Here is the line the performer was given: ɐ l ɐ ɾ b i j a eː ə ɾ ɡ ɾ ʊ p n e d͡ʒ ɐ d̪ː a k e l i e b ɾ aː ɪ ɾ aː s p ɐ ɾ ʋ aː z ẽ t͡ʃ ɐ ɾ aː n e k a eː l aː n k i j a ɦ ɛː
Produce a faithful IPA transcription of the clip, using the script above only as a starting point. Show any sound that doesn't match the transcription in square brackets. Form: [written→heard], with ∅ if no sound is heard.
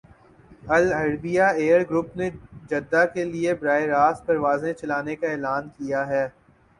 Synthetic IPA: ɐ l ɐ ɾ b i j a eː ə ɾ ɡ ɾ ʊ p n e d͡ʒ ɐ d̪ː a k e l i e b ɾ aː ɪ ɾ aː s p ɐ ɾ ʋ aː z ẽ t͡ʃ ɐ [ɾ→l] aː n e k a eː l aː n k i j a ɦ ɛː